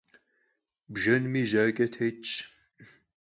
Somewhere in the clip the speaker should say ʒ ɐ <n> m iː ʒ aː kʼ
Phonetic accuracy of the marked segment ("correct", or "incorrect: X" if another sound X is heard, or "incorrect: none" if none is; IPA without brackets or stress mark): correct